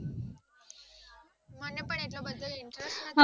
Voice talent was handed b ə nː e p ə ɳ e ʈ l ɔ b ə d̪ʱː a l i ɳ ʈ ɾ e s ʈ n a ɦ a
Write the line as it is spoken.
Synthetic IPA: m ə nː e p ə ɳ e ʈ l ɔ b ə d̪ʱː ə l i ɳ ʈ ɾ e s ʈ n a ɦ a